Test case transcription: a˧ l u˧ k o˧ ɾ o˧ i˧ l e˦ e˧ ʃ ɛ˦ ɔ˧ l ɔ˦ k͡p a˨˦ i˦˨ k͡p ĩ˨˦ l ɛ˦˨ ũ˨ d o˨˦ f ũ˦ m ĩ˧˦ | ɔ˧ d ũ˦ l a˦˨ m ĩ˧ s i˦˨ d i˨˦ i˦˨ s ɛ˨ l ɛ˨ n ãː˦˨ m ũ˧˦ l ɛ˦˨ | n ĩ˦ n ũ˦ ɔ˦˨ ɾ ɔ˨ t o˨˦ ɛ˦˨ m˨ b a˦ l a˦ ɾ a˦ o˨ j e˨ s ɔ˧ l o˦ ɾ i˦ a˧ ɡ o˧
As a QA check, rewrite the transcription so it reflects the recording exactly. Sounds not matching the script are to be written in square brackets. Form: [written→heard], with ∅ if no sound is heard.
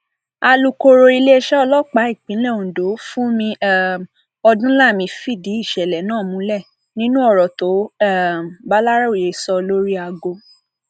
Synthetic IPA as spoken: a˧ l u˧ k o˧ ɾ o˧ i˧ l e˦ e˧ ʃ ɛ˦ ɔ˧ l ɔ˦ k͡p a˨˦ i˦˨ k͡p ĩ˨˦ l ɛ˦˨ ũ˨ d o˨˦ f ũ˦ m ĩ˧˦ | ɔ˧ d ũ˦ l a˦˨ m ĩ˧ [s→f] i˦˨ d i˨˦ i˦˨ [s→ʃ] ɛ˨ l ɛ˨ n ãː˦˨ m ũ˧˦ l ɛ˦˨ | n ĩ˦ n ũ˦ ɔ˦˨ ɾ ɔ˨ t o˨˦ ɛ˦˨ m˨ b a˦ l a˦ ɾ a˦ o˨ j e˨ s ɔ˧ l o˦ ɾ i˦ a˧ ɡ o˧